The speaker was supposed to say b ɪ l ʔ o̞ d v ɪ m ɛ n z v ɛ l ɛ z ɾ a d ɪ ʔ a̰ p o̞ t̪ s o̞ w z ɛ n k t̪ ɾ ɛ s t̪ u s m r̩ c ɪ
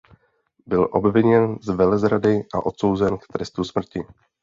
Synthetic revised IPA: b ɪ l ʔ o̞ b v ɪ ɲ ɛ n z v ɛ l ɛ z ɾ a d ɪ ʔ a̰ ʔ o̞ t̪ s o̞ w z ɛ n k t̪ ɾ ɛ s t̪ u s m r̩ c ɪ